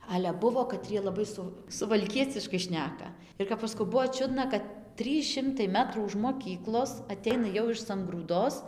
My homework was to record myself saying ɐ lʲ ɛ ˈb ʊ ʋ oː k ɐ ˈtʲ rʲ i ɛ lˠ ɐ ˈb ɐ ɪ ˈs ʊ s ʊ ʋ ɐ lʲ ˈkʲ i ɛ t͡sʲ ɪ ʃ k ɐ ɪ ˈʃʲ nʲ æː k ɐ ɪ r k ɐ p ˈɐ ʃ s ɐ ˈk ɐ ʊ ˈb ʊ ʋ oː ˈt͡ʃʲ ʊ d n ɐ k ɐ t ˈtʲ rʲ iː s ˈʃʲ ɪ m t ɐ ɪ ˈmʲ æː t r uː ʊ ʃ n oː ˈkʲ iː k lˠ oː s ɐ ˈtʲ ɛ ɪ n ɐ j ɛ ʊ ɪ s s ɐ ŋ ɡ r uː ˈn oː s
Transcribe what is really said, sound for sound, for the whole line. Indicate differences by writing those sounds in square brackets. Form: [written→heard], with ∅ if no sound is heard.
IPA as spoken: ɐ lʲ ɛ ˈb ʊ ʋ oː k ɐ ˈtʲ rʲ i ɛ lˠ ɐ ˈb ɐ ɪ ˈs ʊ s ʊ ʋ ɐ lʲ ˈkʲ i ɛ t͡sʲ ɪ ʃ k ɐ ɪ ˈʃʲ nʲ æː k ɐ ɪ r k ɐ p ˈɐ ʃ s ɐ ˈk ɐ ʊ ˈb ʊ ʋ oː ˈt͡ʃʲ ʊ d n ɐ k ɐ t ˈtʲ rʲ iː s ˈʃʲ ɪ m t ɐ ɪ ˈmʲ æː t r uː ʊ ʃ [n→m] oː ˈkʲ iː k lˠ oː s ɐ ˈtʲ ɛ ɪ n ɐ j ɛ ʊ ɪ [s→ʃ] s ɐ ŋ ɡ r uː [ˈn→ˈd] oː s

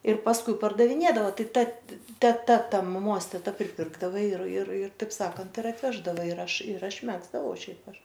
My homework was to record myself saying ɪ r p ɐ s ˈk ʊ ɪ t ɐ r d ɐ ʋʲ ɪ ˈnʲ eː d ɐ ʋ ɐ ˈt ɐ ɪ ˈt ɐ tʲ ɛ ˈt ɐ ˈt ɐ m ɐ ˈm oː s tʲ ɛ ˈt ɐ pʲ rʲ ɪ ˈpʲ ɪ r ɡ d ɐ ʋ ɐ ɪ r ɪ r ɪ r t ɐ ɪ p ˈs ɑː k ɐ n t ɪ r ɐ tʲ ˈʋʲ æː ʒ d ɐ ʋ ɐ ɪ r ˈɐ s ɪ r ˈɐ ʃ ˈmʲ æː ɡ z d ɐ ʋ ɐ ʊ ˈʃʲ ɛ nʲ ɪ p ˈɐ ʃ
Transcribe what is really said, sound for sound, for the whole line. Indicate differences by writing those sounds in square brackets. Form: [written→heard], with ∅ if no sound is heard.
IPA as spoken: ɪ r p ɐ s ˈk ʊ ɪ [t→p] ɐ r d ɐ ʋʲ ɪ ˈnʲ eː d ɐ ʋ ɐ ˈt ɐ ɪ ˈt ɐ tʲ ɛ ˈt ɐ ˈt ɐ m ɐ ˈm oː s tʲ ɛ ˈt ɐ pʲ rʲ ɪ ˈpʲ ɪ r ɡ d ɐ ʋ ɐ ɪ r ɪ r ɪ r t ɐ ɪ p ˈs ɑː k ɐ n t ɪ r ɐ tʲ ˈʋʲ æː ʒ d ɐ ʋ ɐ ɪ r ˈɐ [s→ʃ] ɪ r ˈɐ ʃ ˈmʲ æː ɡ z d ɐ ʋ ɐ ʊ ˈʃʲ ɛ [nʲ→∅] ɪ p ˈɐ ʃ

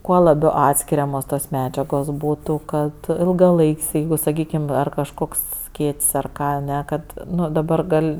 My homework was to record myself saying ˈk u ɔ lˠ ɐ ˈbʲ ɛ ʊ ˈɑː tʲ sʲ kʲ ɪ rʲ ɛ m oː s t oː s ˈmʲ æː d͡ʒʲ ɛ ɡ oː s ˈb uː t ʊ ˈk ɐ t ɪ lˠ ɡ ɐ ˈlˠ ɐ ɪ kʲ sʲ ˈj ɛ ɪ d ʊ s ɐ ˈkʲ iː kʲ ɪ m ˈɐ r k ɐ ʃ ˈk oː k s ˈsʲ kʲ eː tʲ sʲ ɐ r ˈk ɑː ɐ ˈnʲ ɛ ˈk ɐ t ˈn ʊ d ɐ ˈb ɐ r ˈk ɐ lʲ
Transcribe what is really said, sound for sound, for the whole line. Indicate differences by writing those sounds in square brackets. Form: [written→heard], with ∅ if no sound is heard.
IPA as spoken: ˈk u ɔ lˠ ɐ ˈbʲ ɛ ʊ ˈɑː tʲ sʲ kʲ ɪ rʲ ɛ m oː s t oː s ˈmʲ æː d͡ʒʲ ɛ ɡ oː s ˈb uː t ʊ ˈk ɐ t ɪ lˠ ɡ ɐ ˈlˠ ɐ ɪ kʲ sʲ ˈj ɛ ɪ [d→ɡ] ʊ s ɐ ˈkʲ iː kʲ ɪ m ˈɐ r k ɐ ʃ ˈk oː k s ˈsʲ kʲ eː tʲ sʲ ɐ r ˈk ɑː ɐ ˈnʲ ɛ ˈk ɐ t ˈn ʊ d ɐ ˈb ɐ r [ˈk→ˈɡ] ɐ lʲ

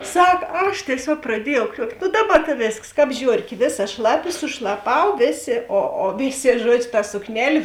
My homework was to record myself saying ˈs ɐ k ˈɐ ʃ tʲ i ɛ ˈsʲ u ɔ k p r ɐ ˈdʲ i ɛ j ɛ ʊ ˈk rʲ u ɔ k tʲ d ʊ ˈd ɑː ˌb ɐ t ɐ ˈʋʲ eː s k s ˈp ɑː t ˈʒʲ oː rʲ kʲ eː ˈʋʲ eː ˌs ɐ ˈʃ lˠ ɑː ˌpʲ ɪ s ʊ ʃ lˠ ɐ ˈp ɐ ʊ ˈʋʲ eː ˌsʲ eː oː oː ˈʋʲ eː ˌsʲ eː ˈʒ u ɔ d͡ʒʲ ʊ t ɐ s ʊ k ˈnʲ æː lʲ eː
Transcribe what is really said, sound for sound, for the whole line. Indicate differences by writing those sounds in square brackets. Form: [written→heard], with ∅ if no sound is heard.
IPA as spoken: ˈs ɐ k ˈɐ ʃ tʲ i ɛ ˈsʲ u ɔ k p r ɐ ˈdʲ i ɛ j ɛ ʊ ˈk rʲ u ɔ k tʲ [d→n] ʊ ˈd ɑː ˌb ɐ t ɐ ˈʋʲ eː s k s [ˈp→ˈk] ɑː [t→p] ˈʒʲ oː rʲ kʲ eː ˈʋʲ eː ˌs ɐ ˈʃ lˠ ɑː ˌpʲ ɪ s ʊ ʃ lˠ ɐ ˈp ɐ ʊ ˈʋʲ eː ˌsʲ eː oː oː ˈʋʲ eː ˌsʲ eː ˈʒ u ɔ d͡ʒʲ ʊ t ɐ s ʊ k ˈnʲ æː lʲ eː

